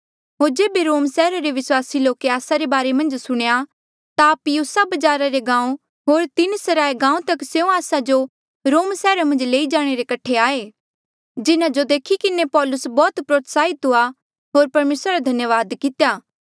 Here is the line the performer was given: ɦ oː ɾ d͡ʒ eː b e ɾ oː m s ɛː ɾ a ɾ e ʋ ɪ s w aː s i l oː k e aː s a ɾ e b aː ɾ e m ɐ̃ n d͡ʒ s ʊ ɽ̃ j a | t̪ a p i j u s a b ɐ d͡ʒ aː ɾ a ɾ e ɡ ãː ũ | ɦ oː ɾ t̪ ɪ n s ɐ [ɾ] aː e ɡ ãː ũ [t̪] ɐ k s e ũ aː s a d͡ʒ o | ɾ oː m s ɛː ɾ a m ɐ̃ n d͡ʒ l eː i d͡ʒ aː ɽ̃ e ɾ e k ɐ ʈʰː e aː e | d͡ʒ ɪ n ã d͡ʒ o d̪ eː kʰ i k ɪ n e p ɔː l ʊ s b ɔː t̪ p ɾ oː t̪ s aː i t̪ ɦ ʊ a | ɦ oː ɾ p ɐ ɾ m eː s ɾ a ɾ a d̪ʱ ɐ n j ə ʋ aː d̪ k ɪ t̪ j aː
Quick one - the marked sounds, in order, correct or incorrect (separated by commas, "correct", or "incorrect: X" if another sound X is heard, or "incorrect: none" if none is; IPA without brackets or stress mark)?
correct, correct